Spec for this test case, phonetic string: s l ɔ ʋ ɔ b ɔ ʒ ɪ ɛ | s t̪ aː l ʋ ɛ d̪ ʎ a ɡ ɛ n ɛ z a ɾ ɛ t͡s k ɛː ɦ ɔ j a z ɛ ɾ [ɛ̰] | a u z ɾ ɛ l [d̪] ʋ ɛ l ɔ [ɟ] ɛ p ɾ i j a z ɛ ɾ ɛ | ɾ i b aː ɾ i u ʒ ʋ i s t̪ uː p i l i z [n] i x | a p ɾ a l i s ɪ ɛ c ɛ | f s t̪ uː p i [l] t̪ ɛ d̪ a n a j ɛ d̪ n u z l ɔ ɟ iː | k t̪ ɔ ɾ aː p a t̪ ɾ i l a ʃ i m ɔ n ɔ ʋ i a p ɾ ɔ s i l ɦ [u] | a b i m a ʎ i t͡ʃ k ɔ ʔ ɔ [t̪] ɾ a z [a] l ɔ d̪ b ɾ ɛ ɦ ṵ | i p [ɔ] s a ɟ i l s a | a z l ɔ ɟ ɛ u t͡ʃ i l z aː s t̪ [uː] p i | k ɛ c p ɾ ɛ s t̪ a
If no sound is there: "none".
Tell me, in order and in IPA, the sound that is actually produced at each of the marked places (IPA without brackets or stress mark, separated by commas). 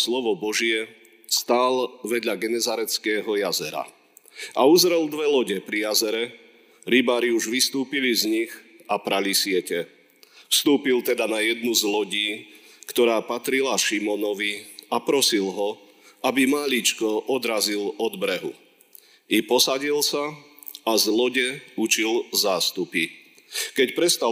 a̰, d̪, ɟ, ɲ, l, ɔ, d̪, i, ɔ, u